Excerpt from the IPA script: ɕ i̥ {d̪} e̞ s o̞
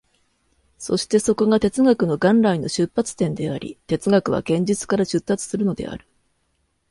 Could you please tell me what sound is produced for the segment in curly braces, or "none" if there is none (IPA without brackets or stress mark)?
t̪